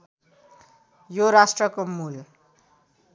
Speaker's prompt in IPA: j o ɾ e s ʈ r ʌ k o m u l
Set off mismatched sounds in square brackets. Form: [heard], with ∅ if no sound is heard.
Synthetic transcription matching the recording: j o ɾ [a] s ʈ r ʌ k o m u l